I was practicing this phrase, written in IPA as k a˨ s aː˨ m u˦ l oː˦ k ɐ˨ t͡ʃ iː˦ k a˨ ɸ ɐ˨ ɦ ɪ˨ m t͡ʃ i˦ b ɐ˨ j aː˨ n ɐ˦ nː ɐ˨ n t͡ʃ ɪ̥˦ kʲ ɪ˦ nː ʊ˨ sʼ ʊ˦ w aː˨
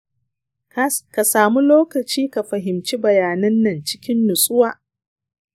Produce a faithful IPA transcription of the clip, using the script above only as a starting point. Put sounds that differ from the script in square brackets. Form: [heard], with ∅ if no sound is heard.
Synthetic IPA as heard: k a˨ s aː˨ m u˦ l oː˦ k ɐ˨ t͡ʃ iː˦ k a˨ ɸ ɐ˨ ɦ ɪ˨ m t͡ʃ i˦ b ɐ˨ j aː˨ n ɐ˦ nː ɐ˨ n t͡ʃ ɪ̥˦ kʲ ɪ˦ nː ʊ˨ sʼ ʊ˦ w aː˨